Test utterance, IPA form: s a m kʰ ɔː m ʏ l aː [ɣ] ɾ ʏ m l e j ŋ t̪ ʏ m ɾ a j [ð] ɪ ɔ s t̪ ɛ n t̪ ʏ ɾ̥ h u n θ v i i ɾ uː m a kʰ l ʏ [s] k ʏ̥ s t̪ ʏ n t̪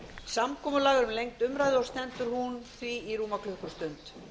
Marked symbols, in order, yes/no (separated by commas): yes, yes, no